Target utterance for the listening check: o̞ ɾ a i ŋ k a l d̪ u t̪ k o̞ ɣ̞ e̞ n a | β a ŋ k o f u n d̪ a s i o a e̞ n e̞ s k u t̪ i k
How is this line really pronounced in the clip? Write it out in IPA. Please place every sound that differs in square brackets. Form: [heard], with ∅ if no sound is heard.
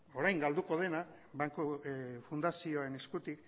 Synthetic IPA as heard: o̞ ɾ a [j] ŋ [ɡ] a l d̪ u [∅] k o̞ [ð̞] e̞ n a | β a ŋ k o f u n d̪ a s i o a e̞ n e̞ s k u t̪ i k